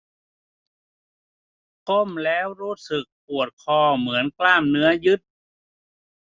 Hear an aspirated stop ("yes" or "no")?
yes